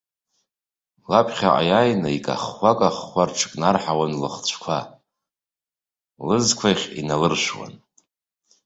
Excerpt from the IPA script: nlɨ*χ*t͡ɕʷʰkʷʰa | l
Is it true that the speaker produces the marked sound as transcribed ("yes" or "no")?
yes